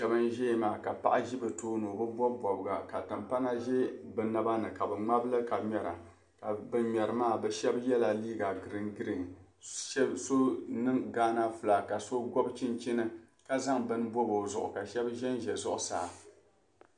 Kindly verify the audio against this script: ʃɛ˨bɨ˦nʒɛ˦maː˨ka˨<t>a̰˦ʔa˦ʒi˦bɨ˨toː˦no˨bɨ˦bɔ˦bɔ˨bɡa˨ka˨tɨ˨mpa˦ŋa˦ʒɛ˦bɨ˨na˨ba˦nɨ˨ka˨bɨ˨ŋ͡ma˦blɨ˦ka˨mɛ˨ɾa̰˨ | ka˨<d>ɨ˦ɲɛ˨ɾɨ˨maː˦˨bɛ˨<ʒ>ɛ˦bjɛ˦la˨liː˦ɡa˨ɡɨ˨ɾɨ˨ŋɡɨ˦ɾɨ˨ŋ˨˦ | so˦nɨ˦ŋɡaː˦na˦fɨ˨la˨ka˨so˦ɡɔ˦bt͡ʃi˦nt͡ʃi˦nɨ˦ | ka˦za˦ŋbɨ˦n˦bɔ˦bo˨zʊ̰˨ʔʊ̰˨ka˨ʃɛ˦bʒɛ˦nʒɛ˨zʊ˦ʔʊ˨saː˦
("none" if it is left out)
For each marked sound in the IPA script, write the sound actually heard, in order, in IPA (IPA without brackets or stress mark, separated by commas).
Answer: p, b, ʃ